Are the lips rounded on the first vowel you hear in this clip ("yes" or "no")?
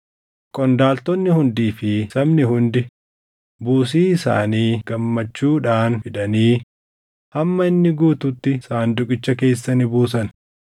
yes